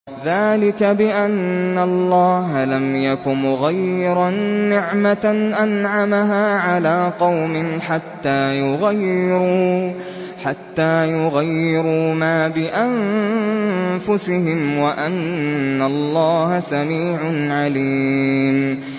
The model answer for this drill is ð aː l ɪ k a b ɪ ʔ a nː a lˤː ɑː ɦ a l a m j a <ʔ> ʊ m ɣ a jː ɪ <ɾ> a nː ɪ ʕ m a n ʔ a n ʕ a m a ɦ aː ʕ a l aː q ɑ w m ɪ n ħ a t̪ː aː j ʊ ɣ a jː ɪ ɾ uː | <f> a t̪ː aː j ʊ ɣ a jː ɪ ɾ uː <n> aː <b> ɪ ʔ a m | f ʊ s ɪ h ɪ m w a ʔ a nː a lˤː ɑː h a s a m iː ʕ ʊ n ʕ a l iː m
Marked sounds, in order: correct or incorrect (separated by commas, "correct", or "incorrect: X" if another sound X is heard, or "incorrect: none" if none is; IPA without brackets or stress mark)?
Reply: incorrect: k, correct, incorrect: ħ, incorrect: m, correct